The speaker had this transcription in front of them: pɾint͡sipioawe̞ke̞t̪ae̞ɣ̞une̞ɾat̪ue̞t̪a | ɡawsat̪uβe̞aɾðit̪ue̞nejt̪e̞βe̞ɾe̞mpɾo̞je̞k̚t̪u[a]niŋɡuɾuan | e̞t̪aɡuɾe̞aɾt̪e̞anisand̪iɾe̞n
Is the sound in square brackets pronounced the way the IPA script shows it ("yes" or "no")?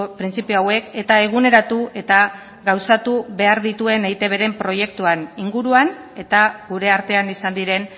yes